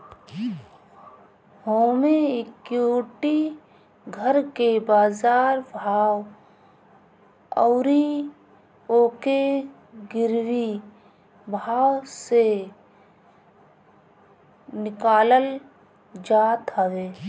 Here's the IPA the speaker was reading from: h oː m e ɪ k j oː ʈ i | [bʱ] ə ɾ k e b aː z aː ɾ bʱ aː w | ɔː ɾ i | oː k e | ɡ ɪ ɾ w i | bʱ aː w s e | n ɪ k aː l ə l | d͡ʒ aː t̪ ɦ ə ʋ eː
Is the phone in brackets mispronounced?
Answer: yes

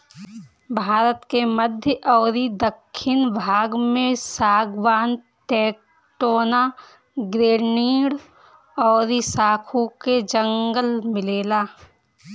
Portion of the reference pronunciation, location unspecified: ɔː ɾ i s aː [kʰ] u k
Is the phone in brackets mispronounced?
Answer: no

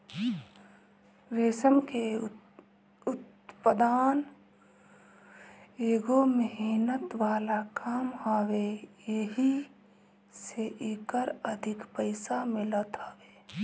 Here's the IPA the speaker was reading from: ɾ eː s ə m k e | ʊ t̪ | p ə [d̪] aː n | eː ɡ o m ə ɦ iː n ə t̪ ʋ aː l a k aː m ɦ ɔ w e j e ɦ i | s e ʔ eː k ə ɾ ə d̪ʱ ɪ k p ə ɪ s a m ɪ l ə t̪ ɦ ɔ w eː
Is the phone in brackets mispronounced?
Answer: no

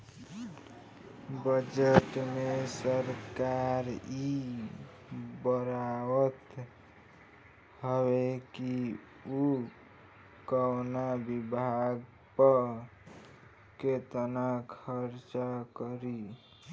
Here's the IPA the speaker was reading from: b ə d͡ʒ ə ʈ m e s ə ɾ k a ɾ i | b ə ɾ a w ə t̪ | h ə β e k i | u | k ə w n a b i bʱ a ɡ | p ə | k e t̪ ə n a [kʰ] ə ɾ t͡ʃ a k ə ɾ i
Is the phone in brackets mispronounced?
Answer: no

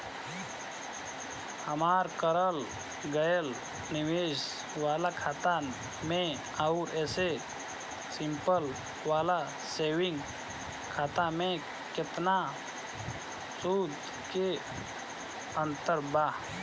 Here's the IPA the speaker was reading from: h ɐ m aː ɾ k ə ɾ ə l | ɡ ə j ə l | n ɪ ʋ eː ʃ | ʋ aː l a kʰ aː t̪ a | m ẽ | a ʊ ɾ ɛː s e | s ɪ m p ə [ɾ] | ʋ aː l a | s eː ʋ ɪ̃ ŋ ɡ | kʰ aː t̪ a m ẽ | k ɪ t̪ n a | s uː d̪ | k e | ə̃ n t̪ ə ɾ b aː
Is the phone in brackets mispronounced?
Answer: yes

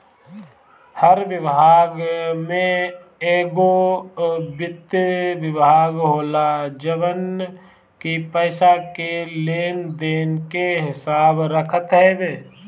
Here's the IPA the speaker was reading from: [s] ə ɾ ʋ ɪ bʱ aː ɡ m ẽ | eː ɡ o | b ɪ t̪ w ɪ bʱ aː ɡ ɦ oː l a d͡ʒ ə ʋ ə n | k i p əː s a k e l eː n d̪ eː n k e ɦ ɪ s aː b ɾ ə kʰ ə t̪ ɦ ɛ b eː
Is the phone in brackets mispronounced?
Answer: yes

